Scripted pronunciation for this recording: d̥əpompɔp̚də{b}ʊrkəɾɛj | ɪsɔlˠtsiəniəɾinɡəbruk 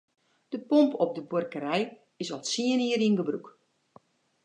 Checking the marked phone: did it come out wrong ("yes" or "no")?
no